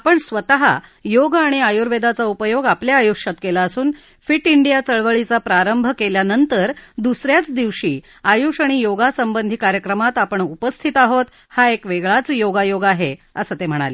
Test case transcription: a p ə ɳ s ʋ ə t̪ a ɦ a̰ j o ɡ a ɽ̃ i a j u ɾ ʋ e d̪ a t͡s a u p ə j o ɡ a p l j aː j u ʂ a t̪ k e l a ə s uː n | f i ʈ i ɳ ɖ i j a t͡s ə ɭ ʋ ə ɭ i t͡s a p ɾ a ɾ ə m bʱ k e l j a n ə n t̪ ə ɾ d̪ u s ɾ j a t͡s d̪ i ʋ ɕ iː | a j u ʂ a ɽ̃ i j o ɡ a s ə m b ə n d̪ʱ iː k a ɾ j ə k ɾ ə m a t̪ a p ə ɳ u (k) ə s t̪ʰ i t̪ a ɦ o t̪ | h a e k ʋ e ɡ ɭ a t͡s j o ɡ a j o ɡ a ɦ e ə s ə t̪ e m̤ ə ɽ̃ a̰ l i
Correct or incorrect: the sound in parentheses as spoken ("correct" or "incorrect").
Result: incorrect